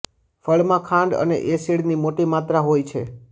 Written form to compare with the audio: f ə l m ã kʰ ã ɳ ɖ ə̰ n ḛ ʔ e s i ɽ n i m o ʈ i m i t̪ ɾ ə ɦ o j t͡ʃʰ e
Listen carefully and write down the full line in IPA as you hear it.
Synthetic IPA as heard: f ə ɭ m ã kʰ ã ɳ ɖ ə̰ n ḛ ʔ e s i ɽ n i m o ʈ i m a t̪ ɾ a ɦ o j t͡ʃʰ e